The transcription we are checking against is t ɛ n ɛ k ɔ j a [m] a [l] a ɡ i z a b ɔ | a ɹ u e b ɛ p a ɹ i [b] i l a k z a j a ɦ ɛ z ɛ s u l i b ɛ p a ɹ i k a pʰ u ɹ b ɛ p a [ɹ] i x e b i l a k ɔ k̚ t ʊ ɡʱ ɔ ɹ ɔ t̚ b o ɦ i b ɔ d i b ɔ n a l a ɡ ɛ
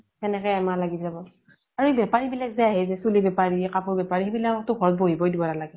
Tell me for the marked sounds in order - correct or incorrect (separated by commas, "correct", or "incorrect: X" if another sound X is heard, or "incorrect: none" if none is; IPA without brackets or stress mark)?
correct, correct, correct, correct